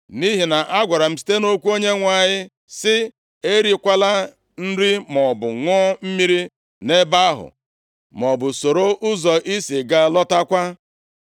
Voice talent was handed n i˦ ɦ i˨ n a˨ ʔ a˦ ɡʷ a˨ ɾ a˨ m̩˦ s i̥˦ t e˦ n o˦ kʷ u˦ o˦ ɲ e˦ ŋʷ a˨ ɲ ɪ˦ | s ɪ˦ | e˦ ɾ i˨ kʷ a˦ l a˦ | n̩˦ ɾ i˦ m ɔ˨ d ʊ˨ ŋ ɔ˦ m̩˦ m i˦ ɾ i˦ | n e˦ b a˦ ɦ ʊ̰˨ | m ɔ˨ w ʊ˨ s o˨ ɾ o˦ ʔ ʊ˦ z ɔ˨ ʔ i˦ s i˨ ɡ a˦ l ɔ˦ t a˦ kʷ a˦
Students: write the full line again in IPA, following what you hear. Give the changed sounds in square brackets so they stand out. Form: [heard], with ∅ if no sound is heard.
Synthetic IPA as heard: n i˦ ɦ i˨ n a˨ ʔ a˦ ɡʷ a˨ ɾ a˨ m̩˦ s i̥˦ t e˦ n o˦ kʷ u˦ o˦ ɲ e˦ ŋʷ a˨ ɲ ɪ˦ | s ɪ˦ | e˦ ɾ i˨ kʷ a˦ l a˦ | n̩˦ ɾ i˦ m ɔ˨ [b] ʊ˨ ŋ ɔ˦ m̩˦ m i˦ ɾ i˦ | n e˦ b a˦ ɦ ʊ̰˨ | m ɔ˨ [b] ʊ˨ s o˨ ɾ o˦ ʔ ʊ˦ z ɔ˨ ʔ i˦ s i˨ ɡ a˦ l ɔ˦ t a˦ kʷ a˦